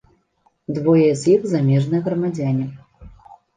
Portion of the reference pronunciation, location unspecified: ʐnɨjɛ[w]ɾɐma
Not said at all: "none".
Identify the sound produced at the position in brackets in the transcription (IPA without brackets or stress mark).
ɣ